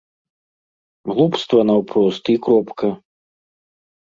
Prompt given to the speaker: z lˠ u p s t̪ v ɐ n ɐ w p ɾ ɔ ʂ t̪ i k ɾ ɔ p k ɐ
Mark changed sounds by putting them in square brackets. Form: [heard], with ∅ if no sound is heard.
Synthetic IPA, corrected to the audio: [ɣ] lˠ u p s t̪ v ɐ n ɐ w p ɾ ɔ [s] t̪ i k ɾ ɔ p k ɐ